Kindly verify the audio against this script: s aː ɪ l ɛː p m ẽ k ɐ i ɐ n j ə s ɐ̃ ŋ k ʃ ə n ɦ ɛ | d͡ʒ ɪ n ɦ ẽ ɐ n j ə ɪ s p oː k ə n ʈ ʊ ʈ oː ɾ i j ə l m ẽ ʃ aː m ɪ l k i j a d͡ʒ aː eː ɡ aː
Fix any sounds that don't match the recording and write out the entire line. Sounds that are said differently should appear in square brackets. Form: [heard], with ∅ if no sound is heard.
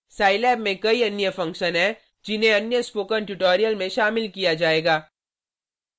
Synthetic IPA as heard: s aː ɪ l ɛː [b] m ẽ k ɐ i ɐ n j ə [f] ɐ̃ ŋ k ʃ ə n ɦ ɛ | d͡ʒ ɪ n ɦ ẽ ɐ n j ə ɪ s p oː k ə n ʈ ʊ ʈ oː ɾ i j ə l m ẽ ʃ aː m ɪ l k i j a d͡ʒ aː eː ɡ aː

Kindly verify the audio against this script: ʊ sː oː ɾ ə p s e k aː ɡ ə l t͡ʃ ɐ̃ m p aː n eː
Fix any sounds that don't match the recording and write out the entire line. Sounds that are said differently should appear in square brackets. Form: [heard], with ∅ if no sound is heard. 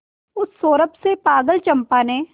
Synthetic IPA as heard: ʊ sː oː ɾ ə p s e [p] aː ɡ ə l t͡ʃ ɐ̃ m p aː n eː

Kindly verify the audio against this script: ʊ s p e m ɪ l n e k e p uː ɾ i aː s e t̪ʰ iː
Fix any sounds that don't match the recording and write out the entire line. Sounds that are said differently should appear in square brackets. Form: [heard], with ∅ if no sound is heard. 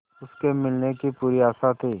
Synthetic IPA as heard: ʊ s [k] e m ɪ l n e k [i] p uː ɾ i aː s [a] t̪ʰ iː

